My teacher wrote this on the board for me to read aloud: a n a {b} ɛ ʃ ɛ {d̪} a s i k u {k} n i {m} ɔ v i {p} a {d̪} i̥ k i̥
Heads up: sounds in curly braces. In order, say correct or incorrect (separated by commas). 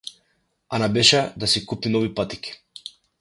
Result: correct, correct, incorrect, incorrect, correct, incorrect